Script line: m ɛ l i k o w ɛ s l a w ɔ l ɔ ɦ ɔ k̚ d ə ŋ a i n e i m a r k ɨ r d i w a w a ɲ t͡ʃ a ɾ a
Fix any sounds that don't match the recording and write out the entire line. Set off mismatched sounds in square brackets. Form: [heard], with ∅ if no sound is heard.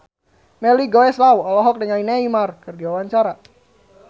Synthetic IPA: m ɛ l i [ɡ] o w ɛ s l a w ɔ l ɔ ɦ ɔ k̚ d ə ŋ a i n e i m a r k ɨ r d i w a w a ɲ t͡ʃ a ɾ a